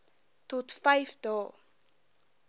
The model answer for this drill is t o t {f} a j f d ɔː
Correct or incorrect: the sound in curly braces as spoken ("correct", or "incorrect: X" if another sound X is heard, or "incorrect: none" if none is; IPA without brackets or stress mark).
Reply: correct